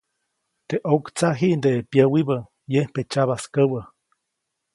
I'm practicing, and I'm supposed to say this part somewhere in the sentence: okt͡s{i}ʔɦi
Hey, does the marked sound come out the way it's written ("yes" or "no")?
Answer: no